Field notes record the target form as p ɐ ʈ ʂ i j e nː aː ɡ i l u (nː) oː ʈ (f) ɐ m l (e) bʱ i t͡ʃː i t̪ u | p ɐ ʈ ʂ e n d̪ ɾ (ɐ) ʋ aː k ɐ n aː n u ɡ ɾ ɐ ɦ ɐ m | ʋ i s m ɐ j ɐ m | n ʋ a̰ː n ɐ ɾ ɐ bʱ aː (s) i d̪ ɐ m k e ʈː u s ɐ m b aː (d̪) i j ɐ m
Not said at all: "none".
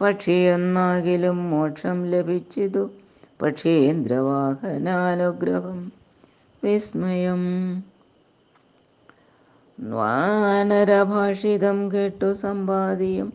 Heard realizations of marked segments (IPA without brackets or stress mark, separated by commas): mː, ʂ, e, ɐ, ʂ, d̪